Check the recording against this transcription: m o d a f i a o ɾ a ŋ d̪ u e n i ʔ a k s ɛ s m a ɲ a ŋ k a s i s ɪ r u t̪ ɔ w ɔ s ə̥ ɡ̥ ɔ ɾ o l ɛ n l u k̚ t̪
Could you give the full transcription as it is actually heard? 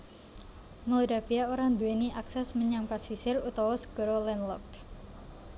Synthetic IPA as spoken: m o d a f i a o ɾ a ŋ d̪ u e n i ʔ a k s ɛ s m ə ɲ a ŋ p a s i s ɪ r u t̪ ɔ w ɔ s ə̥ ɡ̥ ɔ ɾ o l ɛ n l ɔ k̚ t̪

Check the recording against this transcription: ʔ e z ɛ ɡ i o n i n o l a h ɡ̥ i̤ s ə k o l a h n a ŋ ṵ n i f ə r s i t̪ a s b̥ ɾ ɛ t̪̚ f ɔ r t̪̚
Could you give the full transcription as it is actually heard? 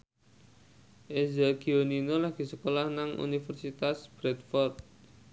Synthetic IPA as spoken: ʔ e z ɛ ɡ i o n i n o l a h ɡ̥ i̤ s ə k o l a h n a ŋ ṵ n i f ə r s i t̪ a s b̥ ɾ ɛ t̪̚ f ɔ r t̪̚

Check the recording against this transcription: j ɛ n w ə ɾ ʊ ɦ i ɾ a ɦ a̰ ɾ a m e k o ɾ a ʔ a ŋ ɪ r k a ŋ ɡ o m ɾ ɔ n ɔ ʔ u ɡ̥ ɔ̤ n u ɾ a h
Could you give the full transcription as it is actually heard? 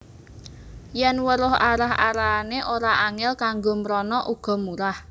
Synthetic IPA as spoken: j ɛ n w ə ɾ ʊ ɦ a ɾ a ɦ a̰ ɾ a n e ʔ o ɾ a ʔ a ŋ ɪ l k a ŋ ɡ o m ɾ ɔ n ɔ ʔ u ɡ̥ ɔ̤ m u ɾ a h

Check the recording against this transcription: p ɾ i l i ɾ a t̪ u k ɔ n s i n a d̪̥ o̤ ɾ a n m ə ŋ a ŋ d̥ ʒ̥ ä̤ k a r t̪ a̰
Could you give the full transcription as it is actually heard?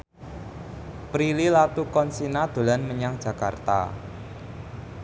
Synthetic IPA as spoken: p ɾ i l i l a t̪ u k ɔ n s i n a d̪̥ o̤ l a n m ə ɲ a ŋ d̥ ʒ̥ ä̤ k a r t̪ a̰

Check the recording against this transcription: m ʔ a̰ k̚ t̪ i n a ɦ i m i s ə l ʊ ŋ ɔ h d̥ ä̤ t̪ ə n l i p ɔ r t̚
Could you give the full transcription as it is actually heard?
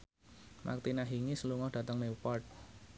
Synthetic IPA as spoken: m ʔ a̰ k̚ t̪ i n a ɦ i ŋ i s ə l u ŋ ɔ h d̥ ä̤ t̪ ə ŋ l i p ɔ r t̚

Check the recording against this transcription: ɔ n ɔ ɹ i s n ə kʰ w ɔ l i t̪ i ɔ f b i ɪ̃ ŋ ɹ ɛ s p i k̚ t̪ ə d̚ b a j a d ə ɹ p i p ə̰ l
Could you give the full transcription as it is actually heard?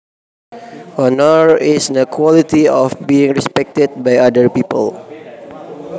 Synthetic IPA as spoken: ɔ n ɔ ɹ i s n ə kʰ w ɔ l i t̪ i ɔ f b i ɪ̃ ŋ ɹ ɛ s p ɛ k̚ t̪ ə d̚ b a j a d ə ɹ p i p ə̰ l

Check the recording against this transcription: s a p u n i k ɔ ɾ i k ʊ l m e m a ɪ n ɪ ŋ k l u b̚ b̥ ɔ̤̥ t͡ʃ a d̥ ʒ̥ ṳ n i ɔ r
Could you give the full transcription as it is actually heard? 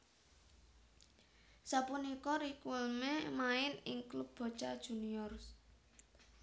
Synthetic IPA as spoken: s a p u n i k ɔ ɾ i k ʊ l m e m a ɪ n ɪ ŋ k l u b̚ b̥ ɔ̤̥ t͡ʃ a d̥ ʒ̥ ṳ n i ɔ r

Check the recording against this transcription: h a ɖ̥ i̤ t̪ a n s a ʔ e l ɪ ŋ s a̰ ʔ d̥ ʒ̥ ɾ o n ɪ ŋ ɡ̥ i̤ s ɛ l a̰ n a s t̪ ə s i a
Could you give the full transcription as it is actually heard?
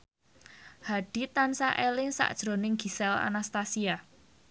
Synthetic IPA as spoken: h a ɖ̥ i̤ t̪ a n s a ʔ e l ɪ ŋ s a̰ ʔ d̥ ʒ̥ ɾ o n ɪ ŋ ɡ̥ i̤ s ɛ l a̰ n a s t̪ a s i a

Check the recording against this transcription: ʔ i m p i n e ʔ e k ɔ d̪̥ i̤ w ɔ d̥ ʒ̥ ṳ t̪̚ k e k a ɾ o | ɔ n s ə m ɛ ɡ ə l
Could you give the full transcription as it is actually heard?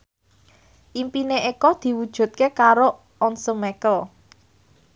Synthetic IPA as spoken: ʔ i m p i n e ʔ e k ɔ d̪̥ i̤ w u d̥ ʒ̥ ṳ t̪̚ k e k a ɾ o | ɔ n s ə m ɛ k ə l

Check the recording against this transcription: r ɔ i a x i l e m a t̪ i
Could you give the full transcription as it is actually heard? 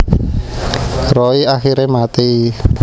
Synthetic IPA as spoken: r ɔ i a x i ɾ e m a t̪ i

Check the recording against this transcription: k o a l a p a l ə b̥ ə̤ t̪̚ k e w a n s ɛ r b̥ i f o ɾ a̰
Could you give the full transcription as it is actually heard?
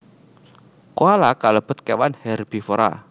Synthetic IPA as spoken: k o a l a k a l ə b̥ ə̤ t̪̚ k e w a n h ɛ r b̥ i f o ɾ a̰

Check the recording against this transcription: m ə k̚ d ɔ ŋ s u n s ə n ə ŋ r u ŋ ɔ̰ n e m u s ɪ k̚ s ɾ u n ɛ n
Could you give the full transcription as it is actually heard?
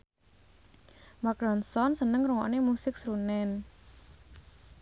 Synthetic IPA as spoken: m a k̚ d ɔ n s ɔ n s ə n ə ŋ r u ŋ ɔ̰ n e m u s ɪ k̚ s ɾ u n ɛ n

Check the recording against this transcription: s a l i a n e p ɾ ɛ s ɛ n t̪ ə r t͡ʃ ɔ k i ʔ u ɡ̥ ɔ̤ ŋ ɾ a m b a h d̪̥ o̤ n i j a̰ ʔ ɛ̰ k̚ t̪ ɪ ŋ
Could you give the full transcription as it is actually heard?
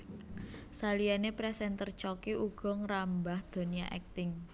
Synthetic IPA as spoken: s a l i a n e p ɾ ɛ s ɛ n t̪ ə r t͡ʃ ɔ k i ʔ u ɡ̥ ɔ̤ ŋ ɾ a m b a h d̪̥ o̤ n i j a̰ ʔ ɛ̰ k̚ t̪ ɪ ŋ

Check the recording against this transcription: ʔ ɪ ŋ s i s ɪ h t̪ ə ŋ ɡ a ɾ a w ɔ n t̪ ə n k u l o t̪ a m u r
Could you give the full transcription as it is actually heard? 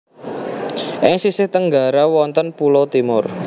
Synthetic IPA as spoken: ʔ ɪ ŋ s i s ɪ h t̪ ə ŋ ɡ a ɾ a w ɔ n t̪ ə n p u l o t̪ i m ʊ r

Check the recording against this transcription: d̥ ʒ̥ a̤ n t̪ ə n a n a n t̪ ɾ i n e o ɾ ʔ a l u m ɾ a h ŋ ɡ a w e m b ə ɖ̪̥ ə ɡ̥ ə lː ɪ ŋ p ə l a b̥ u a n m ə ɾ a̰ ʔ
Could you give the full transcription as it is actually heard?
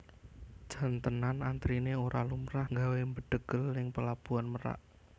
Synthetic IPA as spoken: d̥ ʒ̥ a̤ n t̪ ə n a n a n t̪ ɾ i n e o ɾ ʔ a l u m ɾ a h ŋ ɡ a w e m b ə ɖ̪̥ ə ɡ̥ ə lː ɪ ŋ p ə l a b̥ u a n m ə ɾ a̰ ʔ

